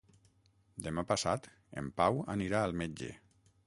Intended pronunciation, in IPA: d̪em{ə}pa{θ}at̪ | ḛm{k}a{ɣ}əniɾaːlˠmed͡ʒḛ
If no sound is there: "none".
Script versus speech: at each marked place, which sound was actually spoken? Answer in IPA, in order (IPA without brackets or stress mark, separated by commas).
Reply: a, s, p, w